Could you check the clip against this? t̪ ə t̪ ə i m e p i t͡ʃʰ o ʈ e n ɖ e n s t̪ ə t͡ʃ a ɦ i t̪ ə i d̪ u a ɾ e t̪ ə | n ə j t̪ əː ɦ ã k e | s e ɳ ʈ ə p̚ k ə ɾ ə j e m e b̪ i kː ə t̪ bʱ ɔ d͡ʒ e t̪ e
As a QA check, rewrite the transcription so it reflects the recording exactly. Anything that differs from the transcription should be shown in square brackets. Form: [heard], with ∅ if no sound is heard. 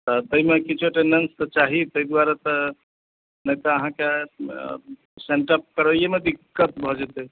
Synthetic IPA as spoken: t̪ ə t̪ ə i m e [k] i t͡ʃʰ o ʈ e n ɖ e n s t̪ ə t͡ʃ a ɦ i t̪ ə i d̪ [w] a ɾ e t̪ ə | n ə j t̪ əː ɦ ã k e | s e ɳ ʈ ə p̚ k ə ɾ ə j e m e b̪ i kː ə t̪ bʱ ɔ d͡ʒ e t̪ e